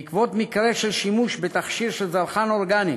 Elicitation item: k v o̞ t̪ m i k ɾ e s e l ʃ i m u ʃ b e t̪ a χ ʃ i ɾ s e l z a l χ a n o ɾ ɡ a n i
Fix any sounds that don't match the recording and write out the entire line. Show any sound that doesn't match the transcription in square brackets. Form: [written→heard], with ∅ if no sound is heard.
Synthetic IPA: k v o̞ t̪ m i k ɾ e [s→ʃ] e l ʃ i m u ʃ b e t̪ a χ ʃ i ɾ [s→ʃ] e l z a l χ a n o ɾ ɡ a n i